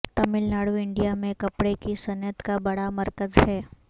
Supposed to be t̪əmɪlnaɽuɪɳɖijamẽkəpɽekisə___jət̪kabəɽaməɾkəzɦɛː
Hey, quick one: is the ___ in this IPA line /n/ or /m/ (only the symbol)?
n